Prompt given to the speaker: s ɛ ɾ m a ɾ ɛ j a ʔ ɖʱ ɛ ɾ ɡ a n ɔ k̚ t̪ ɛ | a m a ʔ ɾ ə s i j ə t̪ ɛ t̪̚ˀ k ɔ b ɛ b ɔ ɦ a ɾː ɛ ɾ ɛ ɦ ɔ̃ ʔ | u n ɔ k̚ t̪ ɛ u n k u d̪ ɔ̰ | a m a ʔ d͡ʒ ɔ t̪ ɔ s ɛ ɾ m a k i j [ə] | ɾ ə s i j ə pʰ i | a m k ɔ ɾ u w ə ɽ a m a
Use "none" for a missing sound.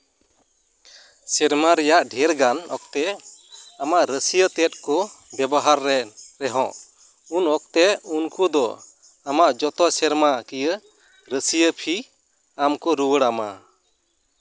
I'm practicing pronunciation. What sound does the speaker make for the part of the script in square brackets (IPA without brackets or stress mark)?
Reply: ə